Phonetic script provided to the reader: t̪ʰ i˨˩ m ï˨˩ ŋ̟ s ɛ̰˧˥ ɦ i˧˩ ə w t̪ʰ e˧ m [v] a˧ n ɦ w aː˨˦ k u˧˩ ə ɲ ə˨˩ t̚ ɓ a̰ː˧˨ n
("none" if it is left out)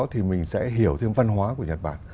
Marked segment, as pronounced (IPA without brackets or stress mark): v